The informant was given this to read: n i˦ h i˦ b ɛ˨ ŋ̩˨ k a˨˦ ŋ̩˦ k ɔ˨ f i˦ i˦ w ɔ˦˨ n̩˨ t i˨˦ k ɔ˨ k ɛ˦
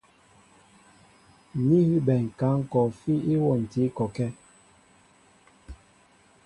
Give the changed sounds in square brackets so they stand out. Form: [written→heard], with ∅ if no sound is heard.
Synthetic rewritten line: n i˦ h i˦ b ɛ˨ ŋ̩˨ k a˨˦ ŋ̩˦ k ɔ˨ f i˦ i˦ w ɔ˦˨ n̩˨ t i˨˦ k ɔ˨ k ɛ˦